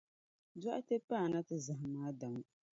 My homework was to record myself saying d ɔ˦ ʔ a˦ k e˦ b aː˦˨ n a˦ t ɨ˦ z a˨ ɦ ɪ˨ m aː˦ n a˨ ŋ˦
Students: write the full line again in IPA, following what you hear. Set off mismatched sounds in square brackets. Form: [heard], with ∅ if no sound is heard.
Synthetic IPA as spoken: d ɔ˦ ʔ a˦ [t] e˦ [p] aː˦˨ n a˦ t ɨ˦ z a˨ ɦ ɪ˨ m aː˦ [d] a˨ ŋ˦